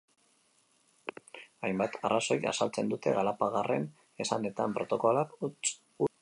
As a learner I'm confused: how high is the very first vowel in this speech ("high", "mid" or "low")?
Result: low